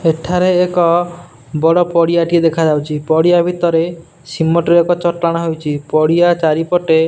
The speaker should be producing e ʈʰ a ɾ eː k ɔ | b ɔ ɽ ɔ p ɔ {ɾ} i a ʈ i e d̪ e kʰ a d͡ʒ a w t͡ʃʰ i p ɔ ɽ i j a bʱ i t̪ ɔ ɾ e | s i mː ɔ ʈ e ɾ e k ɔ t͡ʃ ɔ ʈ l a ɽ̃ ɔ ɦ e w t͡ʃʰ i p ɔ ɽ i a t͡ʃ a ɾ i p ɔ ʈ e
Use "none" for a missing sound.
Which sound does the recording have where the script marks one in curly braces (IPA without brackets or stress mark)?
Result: ɽ